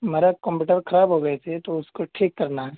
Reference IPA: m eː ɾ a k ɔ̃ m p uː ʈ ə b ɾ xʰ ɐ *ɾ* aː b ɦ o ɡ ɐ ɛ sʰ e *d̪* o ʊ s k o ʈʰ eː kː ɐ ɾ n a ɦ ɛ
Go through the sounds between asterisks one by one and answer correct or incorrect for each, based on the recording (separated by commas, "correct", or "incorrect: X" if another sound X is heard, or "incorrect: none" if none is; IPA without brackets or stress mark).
correct, incorrect: t̪